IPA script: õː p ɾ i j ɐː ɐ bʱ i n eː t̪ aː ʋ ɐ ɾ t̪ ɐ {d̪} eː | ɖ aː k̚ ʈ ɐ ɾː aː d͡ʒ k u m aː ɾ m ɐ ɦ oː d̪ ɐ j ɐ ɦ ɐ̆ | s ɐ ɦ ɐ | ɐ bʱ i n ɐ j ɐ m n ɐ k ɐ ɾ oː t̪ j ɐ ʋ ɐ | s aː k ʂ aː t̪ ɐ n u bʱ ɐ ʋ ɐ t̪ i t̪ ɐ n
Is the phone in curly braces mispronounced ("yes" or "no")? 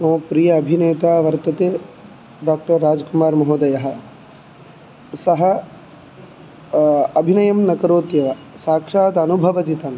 yes